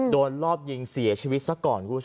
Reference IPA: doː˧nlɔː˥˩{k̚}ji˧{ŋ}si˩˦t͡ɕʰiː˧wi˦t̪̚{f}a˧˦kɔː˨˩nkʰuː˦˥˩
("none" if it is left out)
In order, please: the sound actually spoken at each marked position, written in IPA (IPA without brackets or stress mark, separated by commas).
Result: p̚, ŋ, s